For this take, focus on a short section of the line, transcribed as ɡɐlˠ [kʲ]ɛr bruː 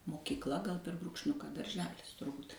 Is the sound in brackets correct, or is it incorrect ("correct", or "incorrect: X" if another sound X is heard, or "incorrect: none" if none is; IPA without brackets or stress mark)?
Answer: incorrect: pʲ